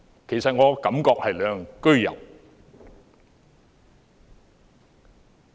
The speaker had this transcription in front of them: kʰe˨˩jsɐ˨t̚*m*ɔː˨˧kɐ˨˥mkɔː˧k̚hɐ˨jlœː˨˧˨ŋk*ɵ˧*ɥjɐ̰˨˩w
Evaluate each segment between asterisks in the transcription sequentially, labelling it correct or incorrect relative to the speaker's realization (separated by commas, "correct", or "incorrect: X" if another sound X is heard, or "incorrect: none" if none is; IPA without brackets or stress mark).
incorrect: ŋ, incorrect: ɵ˥